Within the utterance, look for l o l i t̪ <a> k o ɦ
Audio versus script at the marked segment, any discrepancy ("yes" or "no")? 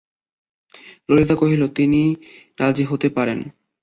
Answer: no